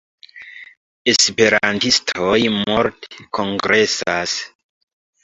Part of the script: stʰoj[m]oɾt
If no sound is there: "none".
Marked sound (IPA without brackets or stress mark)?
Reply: m